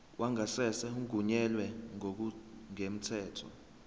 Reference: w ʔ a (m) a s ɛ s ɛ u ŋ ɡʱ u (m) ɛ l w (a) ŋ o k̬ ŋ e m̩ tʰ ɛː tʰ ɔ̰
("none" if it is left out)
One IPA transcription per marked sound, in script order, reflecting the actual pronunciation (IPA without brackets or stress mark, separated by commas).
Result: ŋ, ɲ, ɛ